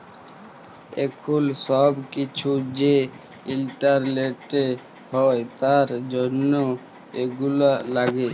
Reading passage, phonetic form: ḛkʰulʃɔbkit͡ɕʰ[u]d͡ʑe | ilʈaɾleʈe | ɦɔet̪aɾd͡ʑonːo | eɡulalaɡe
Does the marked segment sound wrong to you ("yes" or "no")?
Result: no